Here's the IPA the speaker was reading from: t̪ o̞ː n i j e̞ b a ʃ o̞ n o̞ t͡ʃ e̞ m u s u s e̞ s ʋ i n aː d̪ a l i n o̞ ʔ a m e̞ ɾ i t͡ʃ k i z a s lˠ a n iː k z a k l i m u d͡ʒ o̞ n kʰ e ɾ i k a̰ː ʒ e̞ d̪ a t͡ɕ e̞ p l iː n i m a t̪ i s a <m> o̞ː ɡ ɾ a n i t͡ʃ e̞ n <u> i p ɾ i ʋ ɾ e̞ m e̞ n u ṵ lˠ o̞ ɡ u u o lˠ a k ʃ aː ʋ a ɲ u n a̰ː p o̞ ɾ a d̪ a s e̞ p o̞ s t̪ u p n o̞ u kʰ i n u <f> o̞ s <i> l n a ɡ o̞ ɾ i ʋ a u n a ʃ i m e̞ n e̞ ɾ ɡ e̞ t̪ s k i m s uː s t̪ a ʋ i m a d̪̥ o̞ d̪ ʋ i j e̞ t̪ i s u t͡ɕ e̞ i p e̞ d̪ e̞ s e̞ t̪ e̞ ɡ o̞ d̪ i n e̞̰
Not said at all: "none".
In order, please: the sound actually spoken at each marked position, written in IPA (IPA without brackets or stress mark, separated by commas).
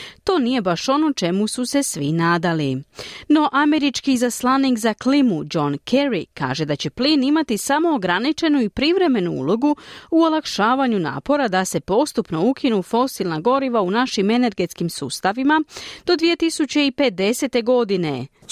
m, u, f, i